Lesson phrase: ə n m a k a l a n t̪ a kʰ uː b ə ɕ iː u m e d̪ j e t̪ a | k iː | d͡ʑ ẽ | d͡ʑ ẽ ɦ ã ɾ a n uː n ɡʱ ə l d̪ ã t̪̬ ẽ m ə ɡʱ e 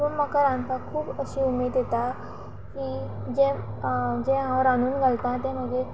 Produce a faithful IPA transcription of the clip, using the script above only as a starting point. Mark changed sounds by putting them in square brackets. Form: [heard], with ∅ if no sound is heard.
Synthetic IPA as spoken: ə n m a k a [ɾ] a n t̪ a kʰ uː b ə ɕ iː u m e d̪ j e t̪ a | k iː | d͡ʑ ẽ | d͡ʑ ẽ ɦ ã ɾ a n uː n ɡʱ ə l [t̪] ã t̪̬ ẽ m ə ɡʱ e